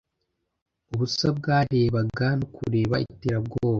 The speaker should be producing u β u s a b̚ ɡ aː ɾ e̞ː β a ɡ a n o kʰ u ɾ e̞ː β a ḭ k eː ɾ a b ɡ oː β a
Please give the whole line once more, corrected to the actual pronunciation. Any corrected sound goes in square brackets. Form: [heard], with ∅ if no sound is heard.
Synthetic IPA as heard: u β u s a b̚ ɡ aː ɾ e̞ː β a ɡ a n o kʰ u ɾ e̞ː β a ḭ [t] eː ɾ a b ɡ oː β a